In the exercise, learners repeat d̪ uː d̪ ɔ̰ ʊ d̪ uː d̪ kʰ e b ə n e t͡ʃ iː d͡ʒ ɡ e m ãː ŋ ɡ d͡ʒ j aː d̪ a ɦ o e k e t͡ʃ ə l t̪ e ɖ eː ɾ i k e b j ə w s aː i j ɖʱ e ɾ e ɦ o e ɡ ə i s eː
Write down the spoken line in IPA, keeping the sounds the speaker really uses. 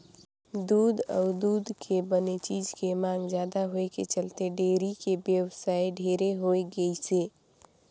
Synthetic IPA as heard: d̪ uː d̪ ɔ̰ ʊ d̪ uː d̪ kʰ e b ə n e t͡ʃ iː d͡ʒ k e m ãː ŋ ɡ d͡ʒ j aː d̪ a ɦ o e k e t͡ʃ ə l t̪ e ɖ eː ɾ i k e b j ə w s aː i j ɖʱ e ɾ e ɦ o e ɡ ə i s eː

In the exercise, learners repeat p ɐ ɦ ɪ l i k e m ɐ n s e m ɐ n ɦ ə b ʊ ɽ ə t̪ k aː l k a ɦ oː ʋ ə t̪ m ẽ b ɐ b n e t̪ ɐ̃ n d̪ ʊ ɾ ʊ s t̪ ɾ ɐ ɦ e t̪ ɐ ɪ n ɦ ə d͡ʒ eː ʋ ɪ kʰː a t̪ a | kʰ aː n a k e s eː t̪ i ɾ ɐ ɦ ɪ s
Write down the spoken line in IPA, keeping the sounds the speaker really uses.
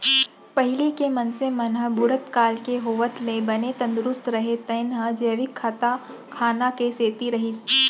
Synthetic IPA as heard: p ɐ ɦ ɪ l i k e m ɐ n s e m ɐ n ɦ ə b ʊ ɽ ə t̪ k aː l k e ɦ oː ʋ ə t̪ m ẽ b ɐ n e t̪ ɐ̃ n d̪ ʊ ɾ ʊ s t̪ ɾ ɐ ɦ e t̪ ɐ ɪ n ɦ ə d͡ʒ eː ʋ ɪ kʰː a t̪ a | kʰ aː n a k e s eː t̪ i ɾ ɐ ɦ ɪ s

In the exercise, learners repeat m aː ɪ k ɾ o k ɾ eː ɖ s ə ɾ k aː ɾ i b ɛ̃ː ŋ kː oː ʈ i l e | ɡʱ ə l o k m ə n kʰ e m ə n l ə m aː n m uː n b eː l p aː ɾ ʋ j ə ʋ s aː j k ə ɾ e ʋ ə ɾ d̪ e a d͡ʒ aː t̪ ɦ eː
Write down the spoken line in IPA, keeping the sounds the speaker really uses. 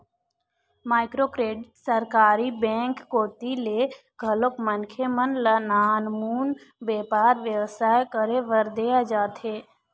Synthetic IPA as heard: m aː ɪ k ɾ o k ɾ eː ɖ s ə ɾ k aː ɾ i b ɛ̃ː ŋ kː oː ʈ i l e | ɡʱ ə l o k m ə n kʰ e m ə n l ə n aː n m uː n b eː p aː ɾ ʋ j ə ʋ s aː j k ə ɾ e ʋ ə ɾ d̪ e a d͡ʒ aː t̪ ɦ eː

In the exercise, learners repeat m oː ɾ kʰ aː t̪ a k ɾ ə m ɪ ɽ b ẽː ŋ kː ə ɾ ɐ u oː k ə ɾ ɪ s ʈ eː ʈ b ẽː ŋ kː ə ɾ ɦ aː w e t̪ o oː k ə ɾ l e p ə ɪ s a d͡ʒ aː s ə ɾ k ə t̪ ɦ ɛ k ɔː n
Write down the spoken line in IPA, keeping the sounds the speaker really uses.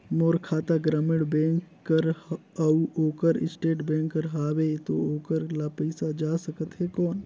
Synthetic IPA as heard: m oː ɾ kʰ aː t̪ a ɡ ɾ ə m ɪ ɽ b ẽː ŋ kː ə ɾ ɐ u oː k ə ɾ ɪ s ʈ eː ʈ b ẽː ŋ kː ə ɾ ɦ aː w e t̪ o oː k ə ɾ l a p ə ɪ s a d͡ʒ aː s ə k ə t̪ ɦ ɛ k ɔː n

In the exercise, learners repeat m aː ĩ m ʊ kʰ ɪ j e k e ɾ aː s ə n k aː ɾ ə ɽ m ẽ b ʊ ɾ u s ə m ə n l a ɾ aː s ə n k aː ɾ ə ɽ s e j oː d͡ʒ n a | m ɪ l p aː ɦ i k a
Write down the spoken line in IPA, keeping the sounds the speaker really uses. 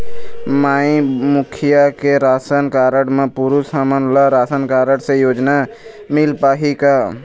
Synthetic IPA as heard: m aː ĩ m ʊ kʰ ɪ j a k e ɾ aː s ə n k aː ɾ ə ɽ m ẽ p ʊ ɾ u s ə m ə n l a ɾ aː s ə n k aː ɾ ə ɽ s e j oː d͡ʒ n a | m ɪ l p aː ɦ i k a

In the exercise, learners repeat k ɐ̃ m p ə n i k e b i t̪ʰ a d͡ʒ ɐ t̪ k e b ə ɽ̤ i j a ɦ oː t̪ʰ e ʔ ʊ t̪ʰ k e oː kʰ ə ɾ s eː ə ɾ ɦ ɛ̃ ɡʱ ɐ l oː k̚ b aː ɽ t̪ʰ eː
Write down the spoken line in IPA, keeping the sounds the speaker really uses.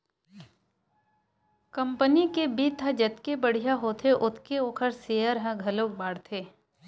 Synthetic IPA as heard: k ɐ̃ m p ə n i k e b i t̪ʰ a d͡ʒ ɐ t̪ k e b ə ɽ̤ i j a ɦ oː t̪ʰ e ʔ ʊ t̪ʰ k e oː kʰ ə ɾ s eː ə ɾ ɦ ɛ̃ ɡʱ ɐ l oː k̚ b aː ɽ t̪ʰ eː

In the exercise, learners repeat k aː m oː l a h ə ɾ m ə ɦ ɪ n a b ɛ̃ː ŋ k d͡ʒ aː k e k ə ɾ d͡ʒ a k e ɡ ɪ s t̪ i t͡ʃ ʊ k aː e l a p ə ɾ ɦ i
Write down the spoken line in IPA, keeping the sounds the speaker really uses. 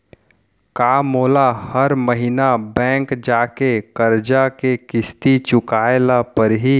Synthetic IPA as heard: k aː m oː l a h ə ɾ m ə ɦ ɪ n a b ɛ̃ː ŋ k d͡ʒ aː k e k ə ɾ d͡ʒ a k e k ɪ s t̪ i t͡ʃ ʊ k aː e l a p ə ɾ ɦ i

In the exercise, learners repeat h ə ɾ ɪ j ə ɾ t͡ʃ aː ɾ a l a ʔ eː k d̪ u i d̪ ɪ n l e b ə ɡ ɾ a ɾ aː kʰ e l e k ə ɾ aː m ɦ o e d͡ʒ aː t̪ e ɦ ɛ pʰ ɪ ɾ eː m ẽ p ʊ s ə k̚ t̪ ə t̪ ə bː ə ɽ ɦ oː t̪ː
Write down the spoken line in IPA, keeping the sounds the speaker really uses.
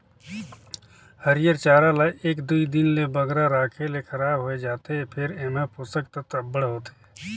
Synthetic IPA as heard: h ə ɾ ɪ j ə ɾ t͡ʃ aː ɾ a l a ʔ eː k d̪ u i d̪ ɪ n l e b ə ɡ ɾ a ɾ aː kʰ e l e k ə ɾ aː b ɦ o e d͡ʒ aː t̪ e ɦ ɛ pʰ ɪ ɾ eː m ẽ p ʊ s ə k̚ t̪ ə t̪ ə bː ə ɽ ɦ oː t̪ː

